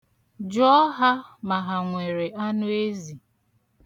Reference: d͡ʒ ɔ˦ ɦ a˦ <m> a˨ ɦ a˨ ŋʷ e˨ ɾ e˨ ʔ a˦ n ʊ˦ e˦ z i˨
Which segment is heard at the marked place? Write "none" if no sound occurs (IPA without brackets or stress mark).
m